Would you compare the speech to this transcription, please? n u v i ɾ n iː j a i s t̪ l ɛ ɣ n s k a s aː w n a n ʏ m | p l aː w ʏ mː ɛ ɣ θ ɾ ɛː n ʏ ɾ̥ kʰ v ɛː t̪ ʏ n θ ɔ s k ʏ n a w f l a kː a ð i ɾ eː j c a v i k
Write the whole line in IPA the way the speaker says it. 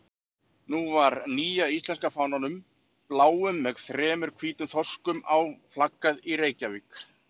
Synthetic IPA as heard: n u v a ɾ n iː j a i s t̪ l ɛ n s k a f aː w n a n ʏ m | p l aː w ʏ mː ɛ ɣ θ ɾ ɛː m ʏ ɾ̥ kʰ v iː t̪ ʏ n θ ɔ s k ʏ m a w f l a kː a ð i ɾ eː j c a v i k